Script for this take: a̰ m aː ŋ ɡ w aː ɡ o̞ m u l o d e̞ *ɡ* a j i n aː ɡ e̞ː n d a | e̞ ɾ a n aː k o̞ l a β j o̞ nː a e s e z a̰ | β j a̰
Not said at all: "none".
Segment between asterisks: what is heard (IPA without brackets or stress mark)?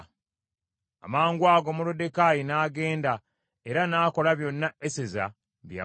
k